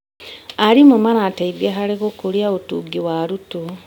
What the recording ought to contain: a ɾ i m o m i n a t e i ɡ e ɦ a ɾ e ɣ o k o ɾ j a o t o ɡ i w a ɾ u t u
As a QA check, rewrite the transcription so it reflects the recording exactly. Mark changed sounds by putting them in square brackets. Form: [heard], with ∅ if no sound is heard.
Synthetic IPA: a ɾ i m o m [a] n a t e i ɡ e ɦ a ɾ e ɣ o k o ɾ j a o t [u] ɡ i w a ɾ u t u